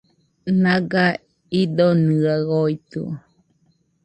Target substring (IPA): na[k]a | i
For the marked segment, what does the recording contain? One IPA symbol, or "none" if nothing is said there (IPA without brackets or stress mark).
ɡ